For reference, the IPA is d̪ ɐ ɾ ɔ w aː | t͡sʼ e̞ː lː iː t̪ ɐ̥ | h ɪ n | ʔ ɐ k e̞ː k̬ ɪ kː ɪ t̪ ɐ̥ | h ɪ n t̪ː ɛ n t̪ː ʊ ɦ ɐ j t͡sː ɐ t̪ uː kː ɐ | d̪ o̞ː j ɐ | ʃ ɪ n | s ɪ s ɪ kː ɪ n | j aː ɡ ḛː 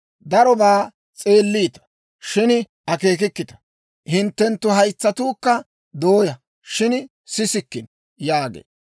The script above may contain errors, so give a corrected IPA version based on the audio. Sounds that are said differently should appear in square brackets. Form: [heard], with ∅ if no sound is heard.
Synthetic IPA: d̪ ɐ ɾ ɔ [b] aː | t͡sʼ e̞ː lː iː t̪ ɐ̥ | [ʃ] ɪ n | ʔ ɐ k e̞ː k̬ ɪ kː ɪ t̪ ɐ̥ | h ɪ n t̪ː ɛ n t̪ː ʊ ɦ ɐ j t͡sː ɐ t̪ uː kː ɐ | d̪ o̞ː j ɐ | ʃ ɪ n | s ɪ s ɪ kː ɪ n | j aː ɡ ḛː